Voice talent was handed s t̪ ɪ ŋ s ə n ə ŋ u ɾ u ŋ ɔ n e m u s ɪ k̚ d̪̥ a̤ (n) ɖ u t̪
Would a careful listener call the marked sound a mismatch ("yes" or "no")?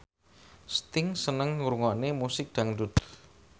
yes